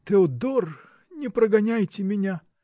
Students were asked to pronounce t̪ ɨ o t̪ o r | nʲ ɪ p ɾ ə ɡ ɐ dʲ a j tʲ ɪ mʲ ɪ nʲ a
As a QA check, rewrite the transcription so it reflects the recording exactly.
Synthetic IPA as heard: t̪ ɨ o d̪ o r | nʲ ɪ p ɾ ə ɡ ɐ nʲ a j tʲ ɪ mʲ ɪ nʲ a